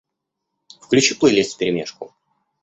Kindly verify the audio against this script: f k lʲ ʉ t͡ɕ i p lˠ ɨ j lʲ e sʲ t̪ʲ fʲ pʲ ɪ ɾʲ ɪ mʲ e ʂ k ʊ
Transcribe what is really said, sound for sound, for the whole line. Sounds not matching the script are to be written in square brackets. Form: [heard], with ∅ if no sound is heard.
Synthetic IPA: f k lʲ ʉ t͡ɕ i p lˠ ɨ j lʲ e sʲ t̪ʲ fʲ pʲ ɪ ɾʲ ɪ mʲ e ʂ k ʊ